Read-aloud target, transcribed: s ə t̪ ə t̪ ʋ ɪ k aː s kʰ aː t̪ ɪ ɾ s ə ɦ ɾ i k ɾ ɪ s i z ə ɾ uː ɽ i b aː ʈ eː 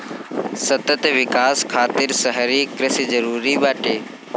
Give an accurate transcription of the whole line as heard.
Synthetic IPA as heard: s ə t̪ ə t̪ ʋ ɪ k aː s kʰ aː t̪ ɪ ɾ s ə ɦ ɾ i k ɾ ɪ s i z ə ɾ uː ɾ i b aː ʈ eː

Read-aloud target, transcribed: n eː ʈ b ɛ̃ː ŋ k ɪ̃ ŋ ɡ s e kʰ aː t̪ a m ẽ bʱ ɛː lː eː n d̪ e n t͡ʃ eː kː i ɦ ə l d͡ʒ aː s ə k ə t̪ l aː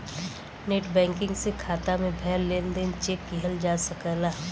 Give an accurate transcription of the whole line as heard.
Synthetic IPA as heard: n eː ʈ b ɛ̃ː ŋ k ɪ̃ ŋ ɡ s e kʰ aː t̪ a m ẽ bʱ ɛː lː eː n d̪ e n t͡ʃ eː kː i ɦ ə l d͡ʒ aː s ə k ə l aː

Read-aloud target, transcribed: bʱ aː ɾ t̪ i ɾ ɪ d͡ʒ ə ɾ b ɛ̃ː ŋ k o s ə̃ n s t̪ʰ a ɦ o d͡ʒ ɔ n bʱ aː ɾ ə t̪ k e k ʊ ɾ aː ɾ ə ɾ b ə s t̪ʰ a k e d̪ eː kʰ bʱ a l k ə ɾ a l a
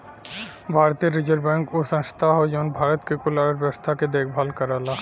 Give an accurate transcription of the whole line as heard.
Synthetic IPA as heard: bʱ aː ɾ t̪ i ɾ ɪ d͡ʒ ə ɾ b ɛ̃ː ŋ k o s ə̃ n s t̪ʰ a ɦ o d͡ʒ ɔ n bʱ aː ɾ ə t̪ k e k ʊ l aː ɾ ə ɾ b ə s t̪ʰ a k e d̪ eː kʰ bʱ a l k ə ɾ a l a

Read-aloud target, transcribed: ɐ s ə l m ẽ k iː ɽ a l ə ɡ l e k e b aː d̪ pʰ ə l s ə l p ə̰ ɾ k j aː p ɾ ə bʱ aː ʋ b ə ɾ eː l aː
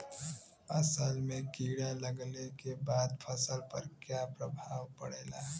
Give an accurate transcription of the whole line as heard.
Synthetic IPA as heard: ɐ s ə l m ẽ k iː ɽ a l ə ɡ l e k e b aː d̪ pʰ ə s ə l p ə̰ ɾ k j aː p ɾ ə bʱ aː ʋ p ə ɽ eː l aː

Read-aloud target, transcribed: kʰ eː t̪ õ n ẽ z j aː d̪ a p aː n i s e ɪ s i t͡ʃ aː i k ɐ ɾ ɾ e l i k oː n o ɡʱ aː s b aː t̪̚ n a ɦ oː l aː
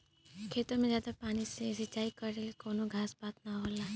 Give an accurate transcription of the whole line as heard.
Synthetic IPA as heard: kʰ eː t̪ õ m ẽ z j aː d̪ a p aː n i s e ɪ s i t͡ʃ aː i k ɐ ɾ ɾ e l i k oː n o ɡʱ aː s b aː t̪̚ n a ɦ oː l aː

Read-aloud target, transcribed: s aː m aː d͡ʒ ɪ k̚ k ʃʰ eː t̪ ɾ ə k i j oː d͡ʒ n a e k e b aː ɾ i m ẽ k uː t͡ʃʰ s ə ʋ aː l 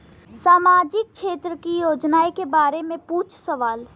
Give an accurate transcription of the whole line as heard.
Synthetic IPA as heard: s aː m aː d͡ʒ ɪ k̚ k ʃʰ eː t̪ ɾ ə k i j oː d͡ʒ n a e k e b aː ɾ e m ẽ p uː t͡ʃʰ s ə ʋ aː l

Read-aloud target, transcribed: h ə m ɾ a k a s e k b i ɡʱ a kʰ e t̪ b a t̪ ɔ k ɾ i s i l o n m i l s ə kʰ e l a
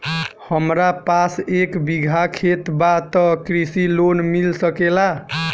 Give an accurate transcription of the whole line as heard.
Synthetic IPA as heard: h ə m ɾ a p a s e k b i ɡʱ a kʰ e t̪ b a t̪ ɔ k ɾ i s i l o n m i l s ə k e l a

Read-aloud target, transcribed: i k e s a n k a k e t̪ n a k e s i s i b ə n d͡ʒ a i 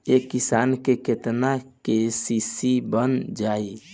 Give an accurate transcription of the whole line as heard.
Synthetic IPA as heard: e k i s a n k e k e t̪ n a k e s i s i b ə n d͡ʒ a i

